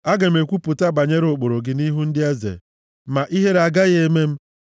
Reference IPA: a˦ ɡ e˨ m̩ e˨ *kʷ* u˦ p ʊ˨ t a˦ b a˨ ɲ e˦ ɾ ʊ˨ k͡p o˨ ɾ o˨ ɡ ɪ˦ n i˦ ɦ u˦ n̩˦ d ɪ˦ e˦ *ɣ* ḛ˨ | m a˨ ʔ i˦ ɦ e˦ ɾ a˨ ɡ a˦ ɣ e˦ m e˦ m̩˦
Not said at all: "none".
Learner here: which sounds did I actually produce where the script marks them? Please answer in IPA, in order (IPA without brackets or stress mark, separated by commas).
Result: kʷ, z